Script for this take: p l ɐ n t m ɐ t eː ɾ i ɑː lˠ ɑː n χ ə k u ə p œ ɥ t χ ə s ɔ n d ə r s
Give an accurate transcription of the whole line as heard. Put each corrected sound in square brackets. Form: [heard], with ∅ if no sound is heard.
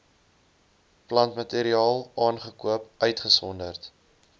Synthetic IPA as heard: p l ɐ n t m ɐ t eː ɾ i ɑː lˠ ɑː n χ ə k u ə p œ ɥ t χ ə s ɔ n d ə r [t]

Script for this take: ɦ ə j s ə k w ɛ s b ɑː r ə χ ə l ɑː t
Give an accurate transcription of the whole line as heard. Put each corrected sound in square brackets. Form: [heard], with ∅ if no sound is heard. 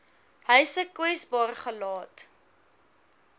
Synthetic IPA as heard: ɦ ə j s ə k w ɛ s b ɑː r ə χ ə l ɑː t

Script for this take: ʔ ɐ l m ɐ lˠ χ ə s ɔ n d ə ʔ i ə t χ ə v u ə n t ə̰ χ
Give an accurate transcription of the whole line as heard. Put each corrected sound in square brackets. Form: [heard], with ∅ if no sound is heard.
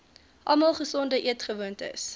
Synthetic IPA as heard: ʔ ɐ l m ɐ lˠ χ ə s ɔ n d ə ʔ i ə t χ ə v u ə n t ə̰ [s]

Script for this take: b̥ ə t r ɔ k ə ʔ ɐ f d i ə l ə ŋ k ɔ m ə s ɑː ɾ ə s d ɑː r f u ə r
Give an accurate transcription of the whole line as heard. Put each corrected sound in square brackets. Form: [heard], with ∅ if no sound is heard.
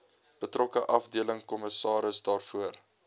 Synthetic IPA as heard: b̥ ə t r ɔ k ə ʔ ɐ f d i ə l ə ŋ k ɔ m ə s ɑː ɾ ə s d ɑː r f u ə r

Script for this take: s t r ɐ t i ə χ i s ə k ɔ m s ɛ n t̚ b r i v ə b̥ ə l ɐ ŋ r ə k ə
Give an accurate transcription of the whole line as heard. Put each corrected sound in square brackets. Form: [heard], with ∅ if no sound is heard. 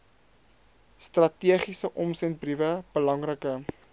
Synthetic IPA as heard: s t r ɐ t i ə χ i s ə [ʔ] ɔ m s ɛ n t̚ b r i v ə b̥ ə l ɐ ŋ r ə k ə

